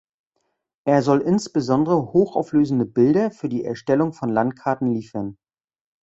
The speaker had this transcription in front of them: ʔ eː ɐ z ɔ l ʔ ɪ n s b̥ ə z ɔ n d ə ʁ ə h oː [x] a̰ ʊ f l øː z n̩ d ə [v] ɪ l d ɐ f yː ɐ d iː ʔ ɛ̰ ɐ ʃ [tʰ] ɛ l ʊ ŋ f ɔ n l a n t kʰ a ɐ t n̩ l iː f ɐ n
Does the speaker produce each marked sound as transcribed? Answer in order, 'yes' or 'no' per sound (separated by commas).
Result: yes, no, no